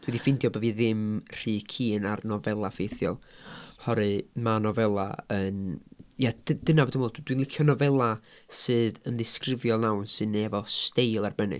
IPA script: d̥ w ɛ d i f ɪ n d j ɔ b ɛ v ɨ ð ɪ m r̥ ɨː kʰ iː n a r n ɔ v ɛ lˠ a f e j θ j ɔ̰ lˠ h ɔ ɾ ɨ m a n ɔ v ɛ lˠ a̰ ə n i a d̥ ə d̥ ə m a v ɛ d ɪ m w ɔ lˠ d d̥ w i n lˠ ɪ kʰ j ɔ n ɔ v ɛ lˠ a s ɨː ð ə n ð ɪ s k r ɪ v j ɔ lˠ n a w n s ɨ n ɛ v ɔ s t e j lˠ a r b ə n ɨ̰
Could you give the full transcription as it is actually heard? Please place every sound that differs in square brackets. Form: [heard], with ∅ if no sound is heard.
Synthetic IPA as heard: d̥ w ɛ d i f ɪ n d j ɔ b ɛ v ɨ ð ɪ m r̥ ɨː kʰ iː n a r n ɔ v ɛ lˠ a f e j θ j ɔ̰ lˠ h ɔ ɾ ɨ m a n ɔ v ɛ lˠ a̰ ə n [j] a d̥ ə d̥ ə [n] a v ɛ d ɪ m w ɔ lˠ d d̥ w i n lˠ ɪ kʰ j ɔ n ɔ v ɛ lˠ a s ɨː ð ə n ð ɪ s k r ɪ v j ɔ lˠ n a w n s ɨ n ɛ v ɔ s t e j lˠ a r b ə n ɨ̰